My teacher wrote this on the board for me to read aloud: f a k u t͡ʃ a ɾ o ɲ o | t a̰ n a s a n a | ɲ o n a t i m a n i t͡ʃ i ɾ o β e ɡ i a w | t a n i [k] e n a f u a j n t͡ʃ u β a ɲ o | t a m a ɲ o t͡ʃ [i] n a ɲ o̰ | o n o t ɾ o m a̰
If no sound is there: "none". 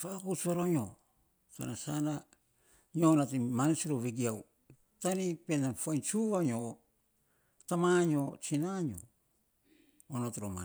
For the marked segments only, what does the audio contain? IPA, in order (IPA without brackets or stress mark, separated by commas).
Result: p, i